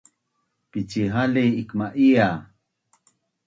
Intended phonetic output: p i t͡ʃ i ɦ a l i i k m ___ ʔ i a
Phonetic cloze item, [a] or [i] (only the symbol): a